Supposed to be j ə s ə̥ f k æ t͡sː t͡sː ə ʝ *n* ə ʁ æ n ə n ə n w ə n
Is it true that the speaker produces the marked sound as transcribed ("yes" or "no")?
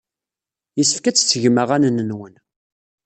no